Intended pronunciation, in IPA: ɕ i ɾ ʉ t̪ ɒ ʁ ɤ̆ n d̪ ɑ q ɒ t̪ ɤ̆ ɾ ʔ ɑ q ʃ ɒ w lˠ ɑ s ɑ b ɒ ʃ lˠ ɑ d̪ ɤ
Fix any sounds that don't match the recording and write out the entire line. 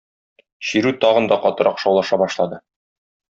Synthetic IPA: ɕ i ɾ ʉ t̪ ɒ ʁ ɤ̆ n d̪ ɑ q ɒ t̪ ɤ̆ ɾ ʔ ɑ q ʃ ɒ w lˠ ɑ ʃ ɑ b ɒ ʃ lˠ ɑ d̪ ɤ